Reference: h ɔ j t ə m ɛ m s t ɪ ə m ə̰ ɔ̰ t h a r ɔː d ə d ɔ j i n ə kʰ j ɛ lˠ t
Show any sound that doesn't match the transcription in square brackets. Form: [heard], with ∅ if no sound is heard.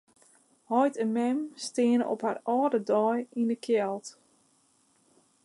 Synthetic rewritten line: h ɔ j t ə m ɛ m s t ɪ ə [n] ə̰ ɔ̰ [p] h a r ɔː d ə d ɔ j i n ə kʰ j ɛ lˠ t